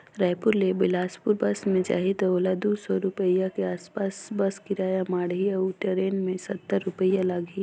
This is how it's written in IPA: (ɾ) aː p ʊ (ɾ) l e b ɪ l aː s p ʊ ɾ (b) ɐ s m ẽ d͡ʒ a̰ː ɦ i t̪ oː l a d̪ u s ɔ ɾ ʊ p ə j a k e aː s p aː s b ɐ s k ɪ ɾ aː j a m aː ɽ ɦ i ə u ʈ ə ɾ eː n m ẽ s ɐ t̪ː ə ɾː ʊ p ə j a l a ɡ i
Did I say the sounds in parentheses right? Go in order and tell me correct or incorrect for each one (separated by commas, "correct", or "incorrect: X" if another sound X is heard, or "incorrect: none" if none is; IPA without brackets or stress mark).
correct, correct, correct